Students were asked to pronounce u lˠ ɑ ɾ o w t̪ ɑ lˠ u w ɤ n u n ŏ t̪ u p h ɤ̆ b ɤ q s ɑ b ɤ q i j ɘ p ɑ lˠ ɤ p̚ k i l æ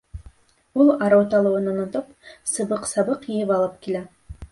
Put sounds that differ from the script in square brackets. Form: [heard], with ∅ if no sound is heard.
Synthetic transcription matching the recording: u lˠ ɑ ɾ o w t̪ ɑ lˠ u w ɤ n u n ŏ t̪ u p [s] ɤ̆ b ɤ q s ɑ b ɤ q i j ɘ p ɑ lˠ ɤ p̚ k i l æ